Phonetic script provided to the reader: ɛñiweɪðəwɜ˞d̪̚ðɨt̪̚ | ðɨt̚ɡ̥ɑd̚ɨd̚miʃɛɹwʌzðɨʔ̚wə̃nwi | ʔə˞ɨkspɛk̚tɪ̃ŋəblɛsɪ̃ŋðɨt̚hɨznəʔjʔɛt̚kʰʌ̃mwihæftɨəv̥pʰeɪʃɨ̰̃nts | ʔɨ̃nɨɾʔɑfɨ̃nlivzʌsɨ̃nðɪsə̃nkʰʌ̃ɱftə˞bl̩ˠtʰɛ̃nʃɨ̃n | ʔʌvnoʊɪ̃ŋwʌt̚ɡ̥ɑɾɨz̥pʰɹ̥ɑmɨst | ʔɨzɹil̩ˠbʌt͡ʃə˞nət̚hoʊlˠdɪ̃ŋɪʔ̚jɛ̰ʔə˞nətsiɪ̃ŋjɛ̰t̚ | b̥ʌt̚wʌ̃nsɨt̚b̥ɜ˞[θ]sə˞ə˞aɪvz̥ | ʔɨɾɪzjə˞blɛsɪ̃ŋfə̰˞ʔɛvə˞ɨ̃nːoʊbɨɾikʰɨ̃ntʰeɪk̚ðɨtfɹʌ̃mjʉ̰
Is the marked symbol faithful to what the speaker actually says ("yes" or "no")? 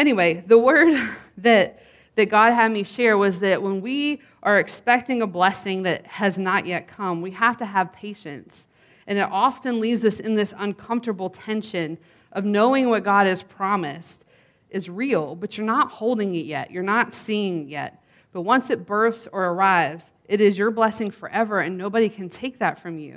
yes